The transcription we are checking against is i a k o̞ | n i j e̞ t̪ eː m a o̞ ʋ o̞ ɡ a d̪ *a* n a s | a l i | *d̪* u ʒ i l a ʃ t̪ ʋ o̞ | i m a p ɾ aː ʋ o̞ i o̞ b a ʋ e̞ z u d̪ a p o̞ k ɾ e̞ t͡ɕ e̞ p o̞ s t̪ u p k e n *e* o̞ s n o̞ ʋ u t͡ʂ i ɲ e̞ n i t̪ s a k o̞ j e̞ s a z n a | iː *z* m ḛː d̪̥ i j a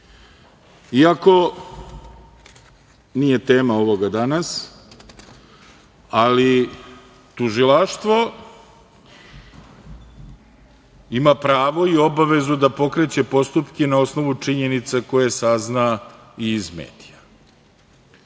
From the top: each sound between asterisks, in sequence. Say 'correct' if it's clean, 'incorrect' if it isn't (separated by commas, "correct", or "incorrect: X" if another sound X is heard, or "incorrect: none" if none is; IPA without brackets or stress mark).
correct, incorrect: t̪, incorrect: a, correct